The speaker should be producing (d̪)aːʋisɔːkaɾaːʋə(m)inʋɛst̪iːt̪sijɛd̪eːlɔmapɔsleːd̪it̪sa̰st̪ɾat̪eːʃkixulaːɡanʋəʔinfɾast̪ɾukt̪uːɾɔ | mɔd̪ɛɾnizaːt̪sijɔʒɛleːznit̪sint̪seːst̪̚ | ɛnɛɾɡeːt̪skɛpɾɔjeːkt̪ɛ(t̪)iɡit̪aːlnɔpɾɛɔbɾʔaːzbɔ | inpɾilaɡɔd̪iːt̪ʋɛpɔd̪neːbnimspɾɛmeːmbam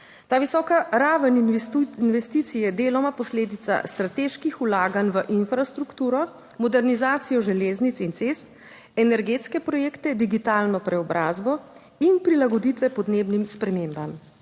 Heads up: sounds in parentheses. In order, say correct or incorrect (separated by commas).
incorrect, incorrect, incorrect